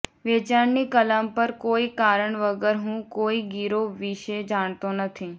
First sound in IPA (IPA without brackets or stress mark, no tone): ʋ